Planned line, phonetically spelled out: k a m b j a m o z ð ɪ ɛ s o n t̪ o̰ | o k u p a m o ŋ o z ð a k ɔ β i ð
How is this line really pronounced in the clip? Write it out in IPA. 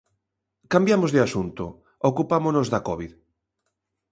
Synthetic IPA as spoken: k a m b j a m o z ð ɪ a s u n t̪ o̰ | o k u p a m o n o z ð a k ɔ β i ð

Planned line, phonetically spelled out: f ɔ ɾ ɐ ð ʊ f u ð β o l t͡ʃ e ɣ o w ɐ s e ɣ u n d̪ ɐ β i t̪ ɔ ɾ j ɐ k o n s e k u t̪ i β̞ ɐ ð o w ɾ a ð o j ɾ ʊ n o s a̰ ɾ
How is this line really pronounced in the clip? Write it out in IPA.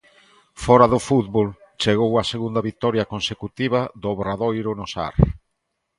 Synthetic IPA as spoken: f ɔ ɾ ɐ ð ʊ f u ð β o l t͡ʃ e ɣ o w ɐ s e ɣ u n d̪ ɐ β i t̪ ɔ ɾ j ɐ k o n s e k u t̪ i β̞ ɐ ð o β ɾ a ð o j ɾ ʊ n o s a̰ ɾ

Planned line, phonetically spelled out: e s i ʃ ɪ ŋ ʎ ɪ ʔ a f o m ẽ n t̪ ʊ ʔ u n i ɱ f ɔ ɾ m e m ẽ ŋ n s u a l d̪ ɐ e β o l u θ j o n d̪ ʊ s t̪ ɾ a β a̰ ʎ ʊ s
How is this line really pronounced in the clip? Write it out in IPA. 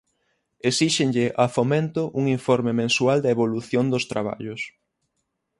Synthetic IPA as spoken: e s i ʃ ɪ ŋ ʎ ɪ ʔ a f o m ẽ n t̪ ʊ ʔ u ŋ i ɱ f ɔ ɾ m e m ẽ n s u a l d̪ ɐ e β o l u θ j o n d̪ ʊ s t̪ ɾ a β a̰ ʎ ʊ s

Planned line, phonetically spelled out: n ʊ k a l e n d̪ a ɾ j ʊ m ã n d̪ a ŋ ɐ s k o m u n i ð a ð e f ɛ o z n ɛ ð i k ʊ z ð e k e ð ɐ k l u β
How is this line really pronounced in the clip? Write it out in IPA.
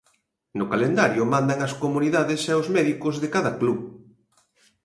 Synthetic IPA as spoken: n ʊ k a l e n d̪ a ɾ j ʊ m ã n d̪ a ŋ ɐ s k o m u n i ð a ð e s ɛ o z m ɛ ð i k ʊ z ð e k a ð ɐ k l u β

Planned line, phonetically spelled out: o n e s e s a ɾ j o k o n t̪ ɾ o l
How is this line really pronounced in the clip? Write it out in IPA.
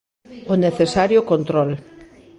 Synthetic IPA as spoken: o n e θ e s a ɾ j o k o n t̪ ɾ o l

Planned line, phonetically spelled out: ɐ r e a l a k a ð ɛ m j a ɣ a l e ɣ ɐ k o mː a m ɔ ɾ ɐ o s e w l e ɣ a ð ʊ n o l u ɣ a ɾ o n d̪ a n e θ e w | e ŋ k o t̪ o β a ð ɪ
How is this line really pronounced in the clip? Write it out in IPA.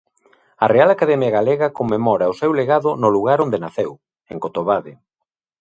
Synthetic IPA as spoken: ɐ r e a l a k a ð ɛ m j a ɣ a l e ɣ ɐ k o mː e m ɔ ɾ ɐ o s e w l e ɣ a ð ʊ n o l u ɣ a ɾ o n d̪ e n a θ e w | e ŋ k o t̪ o β a ð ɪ

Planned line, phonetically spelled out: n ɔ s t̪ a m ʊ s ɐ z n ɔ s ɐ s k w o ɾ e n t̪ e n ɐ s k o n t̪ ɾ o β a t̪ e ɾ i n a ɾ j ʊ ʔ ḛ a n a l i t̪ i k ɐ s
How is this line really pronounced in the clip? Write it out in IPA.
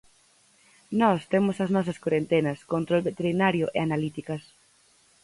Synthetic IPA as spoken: n ɔ s t̪ e m ʊ s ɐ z n ɔ s ɐ s k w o ɾ e n t̪ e n ɐ s k o n t̪ ɾ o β e t̪ e ɾ i n a ɾ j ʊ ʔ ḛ a n a l i t̪ i k ɐ s

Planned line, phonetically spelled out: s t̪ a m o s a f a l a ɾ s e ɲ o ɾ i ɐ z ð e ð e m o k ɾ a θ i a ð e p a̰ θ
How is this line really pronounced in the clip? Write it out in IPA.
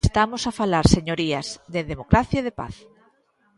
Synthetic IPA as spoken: s t̪ a m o s a f a l a ɾ s e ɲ o ɾ i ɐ z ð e ð e m o k ɾ a θ j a ð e p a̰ θ

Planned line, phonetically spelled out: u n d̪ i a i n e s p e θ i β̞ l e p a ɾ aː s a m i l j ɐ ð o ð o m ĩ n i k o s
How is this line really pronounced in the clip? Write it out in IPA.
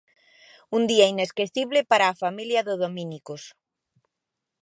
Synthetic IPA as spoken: u n d̪ i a i n e s k e θ i β̞ l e p a ɾ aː f a m i l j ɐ ð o ð o m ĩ n i k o s

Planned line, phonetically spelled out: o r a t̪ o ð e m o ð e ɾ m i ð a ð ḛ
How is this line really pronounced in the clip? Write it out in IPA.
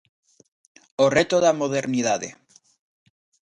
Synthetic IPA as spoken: o r e t̪ o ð a m o ð e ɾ n i ð a ð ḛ

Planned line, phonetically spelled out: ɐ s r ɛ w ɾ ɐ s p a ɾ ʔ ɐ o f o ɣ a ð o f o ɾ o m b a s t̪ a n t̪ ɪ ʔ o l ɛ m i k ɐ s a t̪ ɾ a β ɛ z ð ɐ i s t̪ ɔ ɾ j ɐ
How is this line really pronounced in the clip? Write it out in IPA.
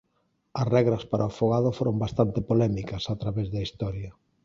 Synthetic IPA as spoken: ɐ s r ɛ ɣ ɾ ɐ s p a ɾ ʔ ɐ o f o ɣ a ð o f o ɾ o m b a s t̪ a n t̪ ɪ p o l ɛ m i k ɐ s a t̪ ɾ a β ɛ z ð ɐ i s t̪ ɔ ɾ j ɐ

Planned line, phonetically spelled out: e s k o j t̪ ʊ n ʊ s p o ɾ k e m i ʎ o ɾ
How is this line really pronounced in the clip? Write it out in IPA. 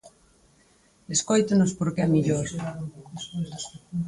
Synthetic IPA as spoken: e s k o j t̪ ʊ n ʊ s p o ɾ k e m i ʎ o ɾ

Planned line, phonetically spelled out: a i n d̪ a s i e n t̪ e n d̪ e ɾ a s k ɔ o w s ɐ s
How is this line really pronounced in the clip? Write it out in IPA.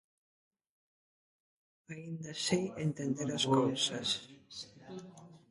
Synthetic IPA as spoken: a i n d̪ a s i e n t̪ e n d̪ e ɾ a s k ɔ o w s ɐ s

